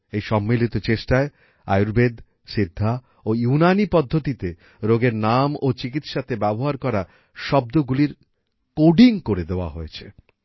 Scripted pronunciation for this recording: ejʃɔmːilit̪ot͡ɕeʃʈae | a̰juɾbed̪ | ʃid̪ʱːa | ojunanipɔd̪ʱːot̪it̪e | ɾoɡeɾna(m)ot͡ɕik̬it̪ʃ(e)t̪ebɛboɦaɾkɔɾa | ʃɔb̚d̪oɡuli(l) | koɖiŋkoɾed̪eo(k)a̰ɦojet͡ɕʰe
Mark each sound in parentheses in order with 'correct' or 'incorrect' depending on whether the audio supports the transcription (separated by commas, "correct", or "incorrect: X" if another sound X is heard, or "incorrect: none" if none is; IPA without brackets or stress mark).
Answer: correct, incorrect: a, incorrect: ɾ, incorrect: none